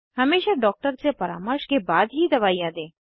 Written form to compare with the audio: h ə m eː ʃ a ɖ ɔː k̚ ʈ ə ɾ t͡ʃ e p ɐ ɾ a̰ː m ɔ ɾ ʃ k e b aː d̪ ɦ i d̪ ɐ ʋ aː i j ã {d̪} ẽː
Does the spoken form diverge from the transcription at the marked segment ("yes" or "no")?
no